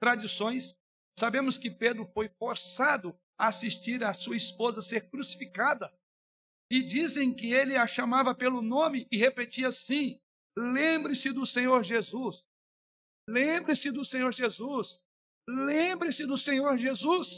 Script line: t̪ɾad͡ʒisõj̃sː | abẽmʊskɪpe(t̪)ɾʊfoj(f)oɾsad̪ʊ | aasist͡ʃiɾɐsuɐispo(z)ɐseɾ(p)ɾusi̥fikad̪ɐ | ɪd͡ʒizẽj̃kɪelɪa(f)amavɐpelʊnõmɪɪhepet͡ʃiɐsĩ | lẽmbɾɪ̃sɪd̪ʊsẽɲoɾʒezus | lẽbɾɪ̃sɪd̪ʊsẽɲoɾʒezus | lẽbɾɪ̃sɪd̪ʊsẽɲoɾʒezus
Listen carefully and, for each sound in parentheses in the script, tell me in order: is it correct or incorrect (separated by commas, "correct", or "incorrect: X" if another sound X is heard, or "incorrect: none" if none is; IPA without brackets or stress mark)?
incorrect: d̪, correct, correct, incorrect: k, incorrect: ʃ